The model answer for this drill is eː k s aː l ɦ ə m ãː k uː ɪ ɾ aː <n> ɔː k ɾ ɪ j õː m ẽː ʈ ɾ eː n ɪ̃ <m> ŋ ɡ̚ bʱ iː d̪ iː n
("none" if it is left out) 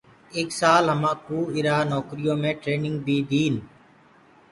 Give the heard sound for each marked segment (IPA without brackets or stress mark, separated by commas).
n, none